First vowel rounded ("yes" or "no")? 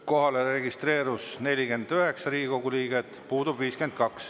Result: yes